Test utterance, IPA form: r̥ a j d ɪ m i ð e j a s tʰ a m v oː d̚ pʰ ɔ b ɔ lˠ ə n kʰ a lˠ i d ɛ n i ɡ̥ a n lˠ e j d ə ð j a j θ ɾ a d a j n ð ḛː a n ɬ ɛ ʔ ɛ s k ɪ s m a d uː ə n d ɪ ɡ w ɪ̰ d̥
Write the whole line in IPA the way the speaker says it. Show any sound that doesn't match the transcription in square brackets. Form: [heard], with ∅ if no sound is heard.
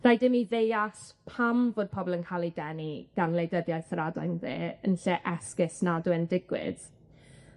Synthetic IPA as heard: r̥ a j d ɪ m i ð e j a s [pʰ] a m v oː d̚ pʰ ɔ b ɔ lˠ ə n kʰ a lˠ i d ɛ n i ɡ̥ a n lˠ e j d ə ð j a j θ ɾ a d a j n ð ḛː [ə] n ɬ ɛ ʔ ɛ s k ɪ s [n] a d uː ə n d ɪ ɡ w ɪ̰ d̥